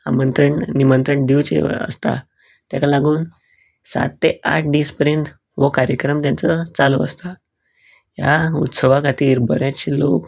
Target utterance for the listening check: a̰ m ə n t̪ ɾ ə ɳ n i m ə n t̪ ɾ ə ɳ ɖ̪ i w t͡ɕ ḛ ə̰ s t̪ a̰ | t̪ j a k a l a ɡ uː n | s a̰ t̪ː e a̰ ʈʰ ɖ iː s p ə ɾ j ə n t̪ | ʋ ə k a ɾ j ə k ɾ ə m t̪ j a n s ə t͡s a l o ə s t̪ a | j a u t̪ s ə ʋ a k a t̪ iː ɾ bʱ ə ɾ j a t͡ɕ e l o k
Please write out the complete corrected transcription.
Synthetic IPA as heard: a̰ m ə n t̪ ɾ ə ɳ n i m ə n t̪ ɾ ə ɳ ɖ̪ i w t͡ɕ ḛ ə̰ s t̪ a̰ | t̪ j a k a l a ɡ uː n | s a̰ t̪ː e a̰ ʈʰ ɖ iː s p ə ɾ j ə n t̪ | ʋ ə k a ɾ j ə k ɾ ə m t̪ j a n t͡s ə t͡s a l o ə s t̪ a | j a u t̪ s ə ʋ a k a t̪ iː ɾ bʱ ə ɾ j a t͡ɕ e l o k